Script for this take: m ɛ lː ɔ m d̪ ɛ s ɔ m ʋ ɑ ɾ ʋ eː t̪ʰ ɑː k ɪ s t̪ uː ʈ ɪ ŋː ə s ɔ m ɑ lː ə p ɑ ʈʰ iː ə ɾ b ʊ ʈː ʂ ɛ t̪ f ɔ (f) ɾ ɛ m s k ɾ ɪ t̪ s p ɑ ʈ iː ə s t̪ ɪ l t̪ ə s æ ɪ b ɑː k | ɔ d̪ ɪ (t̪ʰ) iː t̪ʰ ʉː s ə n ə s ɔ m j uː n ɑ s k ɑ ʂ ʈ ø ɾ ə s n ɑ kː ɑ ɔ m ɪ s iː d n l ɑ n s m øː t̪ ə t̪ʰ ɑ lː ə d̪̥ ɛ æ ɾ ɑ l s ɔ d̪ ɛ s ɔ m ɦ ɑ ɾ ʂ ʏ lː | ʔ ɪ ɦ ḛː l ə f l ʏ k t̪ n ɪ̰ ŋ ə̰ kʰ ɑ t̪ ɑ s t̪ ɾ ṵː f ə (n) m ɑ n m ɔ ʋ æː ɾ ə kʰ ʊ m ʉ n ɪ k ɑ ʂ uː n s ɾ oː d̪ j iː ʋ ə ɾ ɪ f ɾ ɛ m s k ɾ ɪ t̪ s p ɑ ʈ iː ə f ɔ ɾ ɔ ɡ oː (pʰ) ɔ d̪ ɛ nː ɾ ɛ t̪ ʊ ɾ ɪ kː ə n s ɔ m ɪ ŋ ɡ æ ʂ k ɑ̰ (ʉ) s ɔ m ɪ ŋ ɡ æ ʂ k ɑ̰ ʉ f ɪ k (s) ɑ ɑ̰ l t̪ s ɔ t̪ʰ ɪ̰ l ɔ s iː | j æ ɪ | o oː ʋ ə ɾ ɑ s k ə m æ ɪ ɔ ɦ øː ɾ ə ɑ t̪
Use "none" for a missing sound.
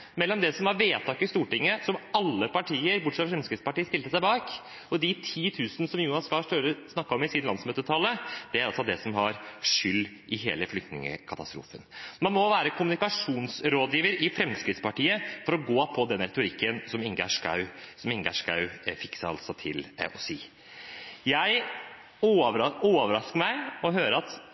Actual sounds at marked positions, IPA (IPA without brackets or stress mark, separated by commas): f, t̪ʰ, n, pʰ, ʉ, s